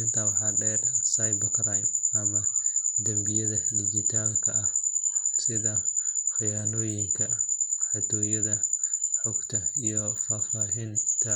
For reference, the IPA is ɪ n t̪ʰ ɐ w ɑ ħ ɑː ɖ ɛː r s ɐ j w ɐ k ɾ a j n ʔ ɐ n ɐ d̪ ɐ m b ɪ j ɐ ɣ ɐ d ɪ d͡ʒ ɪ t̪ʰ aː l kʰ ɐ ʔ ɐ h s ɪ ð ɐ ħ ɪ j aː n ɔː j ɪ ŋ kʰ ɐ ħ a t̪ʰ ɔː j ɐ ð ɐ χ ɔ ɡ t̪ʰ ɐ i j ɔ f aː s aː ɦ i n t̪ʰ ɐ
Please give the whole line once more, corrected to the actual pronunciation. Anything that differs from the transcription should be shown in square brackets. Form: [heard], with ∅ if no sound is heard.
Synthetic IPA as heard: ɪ n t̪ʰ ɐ w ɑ ħ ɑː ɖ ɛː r s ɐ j [b] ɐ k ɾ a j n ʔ ɐ [m] ɐ d̪ ɐ m b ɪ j ɐ [ð] ɐ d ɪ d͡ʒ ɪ t̪ʰ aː l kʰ ɐ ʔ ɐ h s ɪ ð ɐ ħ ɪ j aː n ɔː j ɪ ŋ kʰ ɐ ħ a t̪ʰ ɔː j ɐ ð ɐ [ħ] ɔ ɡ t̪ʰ ɐ i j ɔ f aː [f] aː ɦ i n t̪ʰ ɐ